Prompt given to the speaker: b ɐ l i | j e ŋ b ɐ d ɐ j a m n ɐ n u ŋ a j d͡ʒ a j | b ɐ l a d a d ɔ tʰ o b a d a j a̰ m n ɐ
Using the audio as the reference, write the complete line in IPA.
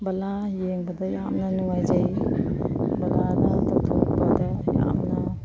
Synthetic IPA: b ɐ l a | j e ŋ b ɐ d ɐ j a m n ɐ n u ŋ a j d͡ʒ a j | b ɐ l a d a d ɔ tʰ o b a d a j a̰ m n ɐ